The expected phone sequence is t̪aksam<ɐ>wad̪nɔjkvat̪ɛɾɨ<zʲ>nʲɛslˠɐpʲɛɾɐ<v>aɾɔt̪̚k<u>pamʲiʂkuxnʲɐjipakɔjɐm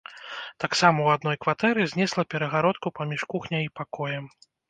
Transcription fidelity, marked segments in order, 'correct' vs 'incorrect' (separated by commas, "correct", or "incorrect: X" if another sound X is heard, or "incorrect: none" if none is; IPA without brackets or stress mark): correct, correct, incorrect: ɣ, correct